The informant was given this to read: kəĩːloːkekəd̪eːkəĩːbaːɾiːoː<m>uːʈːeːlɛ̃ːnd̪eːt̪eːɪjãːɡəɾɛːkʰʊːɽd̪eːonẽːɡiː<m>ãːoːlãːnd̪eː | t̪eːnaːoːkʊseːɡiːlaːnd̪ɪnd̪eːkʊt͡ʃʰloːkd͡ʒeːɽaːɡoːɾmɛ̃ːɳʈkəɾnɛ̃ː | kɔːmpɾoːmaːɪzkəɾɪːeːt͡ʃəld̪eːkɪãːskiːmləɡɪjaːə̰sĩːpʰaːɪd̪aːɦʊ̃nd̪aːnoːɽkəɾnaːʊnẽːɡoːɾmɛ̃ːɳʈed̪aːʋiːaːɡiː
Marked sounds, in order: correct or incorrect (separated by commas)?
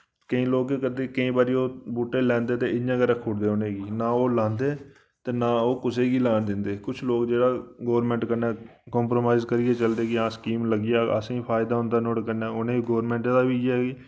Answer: incorrect, incorrect